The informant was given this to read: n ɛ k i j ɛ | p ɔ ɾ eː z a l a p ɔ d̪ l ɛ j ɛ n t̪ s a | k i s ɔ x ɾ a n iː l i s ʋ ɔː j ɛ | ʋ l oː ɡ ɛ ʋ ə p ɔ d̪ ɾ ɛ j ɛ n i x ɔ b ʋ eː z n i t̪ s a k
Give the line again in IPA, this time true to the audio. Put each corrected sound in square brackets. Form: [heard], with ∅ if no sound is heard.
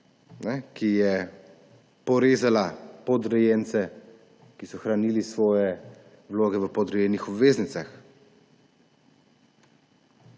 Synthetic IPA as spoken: n ɛ k i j ɛ | p ɔ ɾ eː z a l a p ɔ d̪ [ɾ] ɛ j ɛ n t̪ s [ɛ] | k i s ɔ x ɾ a n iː l i s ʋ ɔː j ɛ | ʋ l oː ɡ ɛ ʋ ə p ɔ d̪ ɾ ɛ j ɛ n i x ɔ b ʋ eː z n i t̪ s a [x]